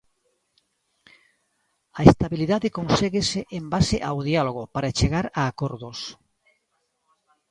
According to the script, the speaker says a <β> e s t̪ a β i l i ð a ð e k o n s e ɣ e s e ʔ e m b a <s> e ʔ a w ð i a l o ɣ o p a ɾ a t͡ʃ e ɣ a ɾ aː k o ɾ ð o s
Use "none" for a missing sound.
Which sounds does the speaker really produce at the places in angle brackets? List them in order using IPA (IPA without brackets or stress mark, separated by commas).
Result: none, s